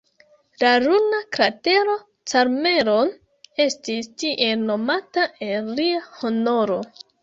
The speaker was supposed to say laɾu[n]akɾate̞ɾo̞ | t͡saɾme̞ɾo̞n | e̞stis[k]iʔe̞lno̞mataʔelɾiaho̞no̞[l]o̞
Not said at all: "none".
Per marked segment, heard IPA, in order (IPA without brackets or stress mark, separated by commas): n, t, ɾ